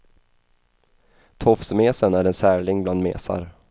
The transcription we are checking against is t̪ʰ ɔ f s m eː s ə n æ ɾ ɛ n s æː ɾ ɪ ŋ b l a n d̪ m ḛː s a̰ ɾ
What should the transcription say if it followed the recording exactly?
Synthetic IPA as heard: t̪ʰ ɔ f s m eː s ə n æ ɾ ɛ n s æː ɭ ɪ ŋ b l a n d̪ m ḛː s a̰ ɾ